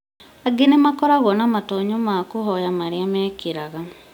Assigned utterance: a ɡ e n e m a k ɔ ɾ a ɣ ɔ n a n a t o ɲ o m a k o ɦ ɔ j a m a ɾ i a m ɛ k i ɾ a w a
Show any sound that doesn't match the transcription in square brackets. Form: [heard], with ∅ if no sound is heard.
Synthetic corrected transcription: a ɡ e n e m a k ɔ ɾ a ɣ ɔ n a [m] a t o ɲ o m a k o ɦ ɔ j a m a ɾ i a m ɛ k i ɾ a [ɣ] a